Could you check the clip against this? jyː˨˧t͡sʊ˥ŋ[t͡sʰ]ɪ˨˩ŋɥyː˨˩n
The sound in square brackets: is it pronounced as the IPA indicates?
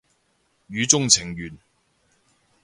yes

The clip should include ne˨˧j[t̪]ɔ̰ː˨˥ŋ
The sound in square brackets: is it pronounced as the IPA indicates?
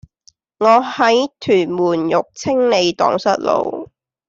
yes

